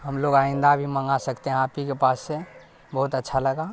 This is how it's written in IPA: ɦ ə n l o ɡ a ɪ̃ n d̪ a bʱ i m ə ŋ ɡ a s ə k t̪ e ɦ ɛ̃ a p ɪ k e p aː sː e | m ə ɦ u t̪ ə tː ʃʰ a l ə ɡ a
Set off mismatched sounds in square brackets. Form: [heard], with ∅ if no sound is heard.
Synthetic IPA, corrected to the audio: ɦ ə [m] l o ɡ a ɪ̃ n d̪ a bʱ i m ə ŋ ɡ a s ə k t̪ e ɦ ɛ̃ a p [i] k e p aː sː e | [b] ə ɦ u t̪ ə tː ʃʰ a l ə ɡ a